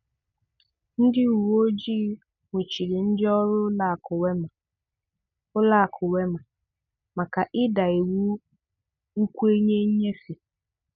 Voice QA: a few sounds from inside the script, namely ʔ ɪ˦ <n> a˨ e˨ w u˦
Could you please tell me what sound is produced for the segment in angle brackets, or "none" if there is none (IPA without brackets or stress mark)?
d